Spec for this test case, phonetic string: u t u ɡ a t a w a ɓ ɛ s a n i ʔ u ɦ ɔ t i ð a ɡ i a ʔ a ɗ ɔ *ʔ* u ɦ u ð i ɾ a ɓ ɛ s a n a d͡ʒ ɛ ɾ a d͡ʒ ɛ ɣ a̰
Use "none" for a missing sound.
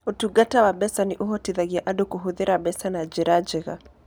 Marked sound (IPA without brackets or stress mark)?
k